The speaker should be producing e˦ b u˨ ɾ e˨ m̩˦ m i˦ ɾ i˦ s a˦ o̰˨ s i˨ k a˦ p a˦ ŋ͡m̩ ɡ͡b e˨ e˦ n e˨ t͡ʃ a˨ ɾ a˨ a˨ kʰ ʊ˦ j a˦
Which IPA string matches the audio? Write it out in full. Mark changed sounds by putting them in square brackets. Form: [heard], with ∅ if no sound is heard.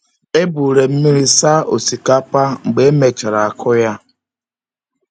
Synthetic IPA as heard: e˦ b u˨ ɾ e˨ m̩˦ m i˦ ɾ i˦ s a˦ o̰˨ s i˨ k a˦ p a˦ ŋ͡m̩ ɡ͡b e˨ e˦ [m] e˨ t͡ʃ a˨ ɾ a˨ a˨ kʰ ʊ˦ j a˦